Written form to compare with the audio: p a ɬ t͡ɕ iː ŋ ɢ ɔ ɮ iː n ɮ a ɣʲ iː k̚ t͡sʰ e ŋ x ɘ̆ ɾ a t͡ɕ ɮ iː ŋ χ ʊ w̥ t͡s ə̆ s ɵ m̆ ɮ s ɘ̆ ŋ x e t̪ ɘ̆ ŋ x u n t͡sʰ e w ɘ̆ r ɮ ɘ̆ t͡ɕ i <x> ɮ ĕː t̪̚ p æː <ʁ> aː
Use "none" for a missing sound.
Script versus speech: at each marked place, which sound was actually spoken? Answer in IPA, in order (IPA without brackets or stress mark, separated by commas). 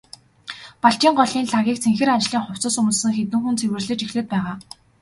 x, ʁ